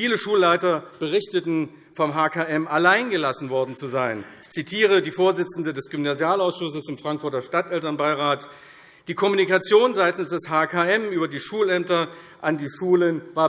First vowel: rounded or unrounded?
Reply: unrounded